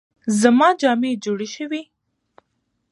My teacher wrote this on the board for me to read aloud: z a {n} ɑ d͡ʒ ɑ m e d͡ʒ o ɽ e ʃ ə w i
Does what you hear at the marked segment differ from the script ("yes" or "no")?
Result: yes